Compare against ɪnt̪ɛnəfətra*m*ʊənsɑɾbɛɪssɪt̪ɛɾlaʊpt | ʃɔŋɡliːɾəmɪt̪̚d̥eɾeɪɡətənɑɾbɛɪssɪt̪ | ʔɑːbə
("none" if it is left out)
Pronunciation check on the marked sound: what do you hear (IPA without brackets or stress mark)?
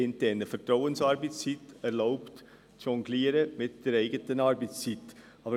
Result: none